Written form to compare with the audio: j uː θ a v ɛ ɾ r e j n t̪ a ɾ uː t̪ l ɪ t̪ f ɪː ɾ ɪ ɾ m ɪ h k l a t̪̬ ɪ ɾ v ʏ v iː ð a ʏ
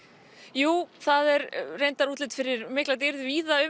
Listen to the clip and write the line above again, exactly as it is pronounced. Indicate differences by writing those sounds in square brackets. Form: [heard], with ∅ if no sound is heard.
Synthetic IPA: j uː θ a [ð] ɛ ɾ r e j n t̪ a ɾ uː t̪ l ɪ t̪ f [ɪ] ɾ ɪ ɾ m ɪ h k l a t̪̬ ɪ ɾ [ð] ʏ v iː ð a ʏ